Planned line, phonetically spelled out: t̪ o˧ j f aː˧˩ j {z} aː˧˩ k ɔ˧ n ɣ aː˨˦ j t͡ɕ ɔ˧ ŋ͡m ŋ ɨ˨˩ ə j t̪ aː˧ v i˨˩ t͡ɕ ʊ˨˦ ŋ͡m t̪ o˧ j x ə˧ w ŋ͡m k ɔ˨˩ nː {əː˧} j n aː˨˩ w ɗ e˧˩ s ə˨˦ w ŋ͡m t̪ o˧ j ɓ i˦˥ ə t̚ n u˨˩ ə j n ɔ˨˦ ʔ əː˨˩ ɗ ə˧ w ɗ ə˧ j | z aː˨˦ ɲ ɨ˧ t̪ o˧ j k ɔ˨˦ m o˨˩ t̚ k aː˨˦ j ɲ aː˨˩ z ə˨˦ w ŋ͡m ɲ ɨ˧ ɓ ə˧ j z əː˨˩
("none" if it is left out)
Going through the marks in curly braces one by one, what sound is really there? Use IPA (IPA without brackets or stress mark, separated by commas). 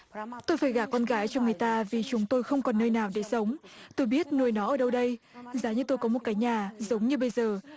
ɣ, əː˧